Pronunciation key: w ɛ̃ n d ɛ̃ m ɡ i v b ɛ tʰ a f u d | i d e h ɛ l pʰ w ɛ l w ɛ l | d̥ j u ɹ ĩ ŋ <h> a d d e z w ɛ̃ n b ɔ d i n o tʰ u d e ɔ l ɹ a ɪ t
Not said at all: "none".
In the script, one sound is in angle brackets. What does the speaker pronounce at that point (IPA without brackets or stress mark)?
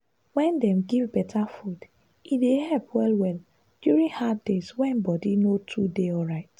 h